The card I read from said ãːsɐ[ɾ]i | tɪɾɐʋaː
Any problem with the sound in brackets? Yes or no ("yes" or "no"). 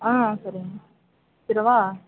no